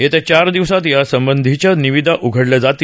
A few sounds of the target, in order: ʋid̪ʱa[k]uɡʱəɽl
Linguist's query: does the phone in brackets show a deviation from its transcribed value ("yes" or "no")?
yes